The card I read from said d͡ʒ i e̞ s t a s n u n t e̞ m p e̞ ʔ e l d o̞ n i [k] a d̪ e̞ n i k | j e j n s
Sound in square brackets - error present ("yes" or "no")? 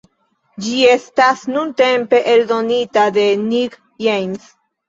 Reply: yes